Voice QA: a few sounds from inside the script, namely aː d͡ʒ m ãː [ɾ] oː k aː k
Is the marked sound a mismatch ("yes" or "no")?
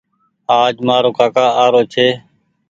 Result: no